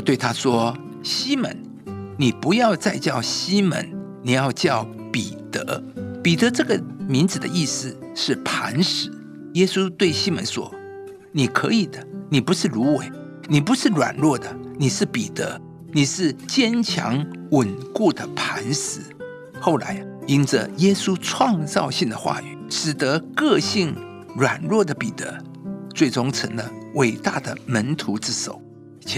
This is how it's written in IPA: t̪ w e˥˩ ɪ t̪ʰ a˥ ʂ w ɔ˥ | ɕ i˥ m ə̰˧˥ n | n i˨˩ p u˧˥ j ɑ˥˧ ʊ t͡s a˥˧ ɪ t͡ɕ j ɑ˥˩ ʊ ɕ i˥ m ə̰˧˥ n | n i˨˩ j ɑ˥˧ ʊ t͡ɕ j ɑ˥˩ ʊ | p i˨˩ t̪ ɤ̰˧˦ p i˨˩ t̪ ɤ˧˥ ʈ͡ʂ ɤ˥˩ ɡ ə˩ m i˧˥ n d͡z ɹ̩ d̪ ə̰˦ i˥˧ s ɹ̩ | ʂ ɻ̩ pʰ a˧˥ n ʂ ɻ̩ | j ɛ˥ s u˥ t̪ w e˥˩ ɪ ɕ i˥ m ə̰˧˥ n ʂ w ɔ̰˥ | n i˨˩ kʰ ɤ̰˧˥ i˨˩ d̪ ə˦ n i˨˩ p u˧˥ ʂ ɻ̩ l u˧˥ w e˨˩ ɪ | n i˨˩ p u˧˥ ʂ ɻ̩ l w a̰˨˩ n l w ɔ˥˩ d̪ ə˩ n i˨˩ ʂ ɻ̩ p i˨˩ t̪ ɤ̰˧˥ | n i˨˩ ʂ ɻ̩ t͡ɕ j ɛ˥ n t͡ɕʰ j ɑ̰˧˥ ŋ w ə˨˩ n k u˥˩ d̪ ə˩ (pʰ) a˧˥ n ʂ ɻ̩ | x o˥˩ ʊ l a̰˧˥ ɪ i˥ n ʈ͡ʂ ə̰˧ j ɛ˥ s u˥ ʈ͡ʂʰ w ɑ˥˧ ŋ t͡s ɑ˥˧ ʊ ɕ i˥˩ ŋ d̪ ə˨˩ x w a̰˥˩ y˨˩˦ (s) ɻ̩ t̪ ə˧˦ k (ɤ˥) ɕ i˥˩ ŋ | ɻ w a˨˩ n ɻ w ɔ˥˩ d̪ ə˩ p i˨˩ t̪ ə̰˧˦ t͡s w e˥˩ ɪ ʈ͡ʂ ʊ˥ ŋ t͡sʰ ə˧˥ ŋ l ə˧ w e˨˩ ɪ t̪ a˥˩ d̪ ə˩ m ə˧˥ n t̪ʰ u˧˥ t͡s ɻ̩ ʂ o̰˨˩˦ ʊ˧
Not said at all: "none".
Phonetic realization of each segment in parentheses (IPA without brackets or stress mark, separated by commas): pʰ, ʂ, ɤ˥˧